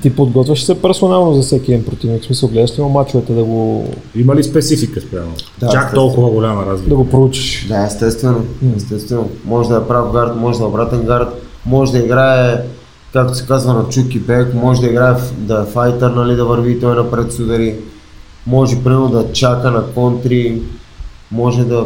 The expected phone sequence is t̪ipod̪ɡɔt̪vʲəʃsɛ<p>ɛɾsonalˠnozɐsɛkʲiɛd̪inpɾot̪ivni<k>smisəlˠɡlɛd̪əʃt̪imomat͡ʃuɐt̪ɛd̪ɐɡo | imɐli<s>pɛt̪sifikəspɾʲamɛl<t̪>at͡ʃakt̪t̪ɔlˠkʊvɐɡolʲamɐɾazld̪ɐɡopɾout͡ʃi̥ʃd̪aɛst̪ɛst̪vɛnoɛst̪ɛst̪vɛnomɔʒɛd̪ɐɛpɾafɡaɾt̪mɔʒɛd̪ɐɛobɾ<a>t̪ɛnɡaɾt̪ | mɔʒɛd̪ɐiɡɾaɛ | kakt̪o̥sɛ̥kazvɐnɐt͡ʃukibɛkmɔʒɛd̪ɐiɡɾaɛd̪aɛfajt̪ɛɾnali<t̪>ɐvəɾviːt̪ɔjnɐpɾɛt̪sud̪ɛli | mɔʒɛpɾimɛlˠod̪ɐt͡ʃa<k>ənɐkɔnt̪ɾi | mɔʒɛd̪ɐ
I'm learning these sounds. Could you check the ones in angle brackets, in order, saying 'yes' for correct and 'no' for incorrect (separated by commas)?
yes, yes, yes, no, yes, no, yes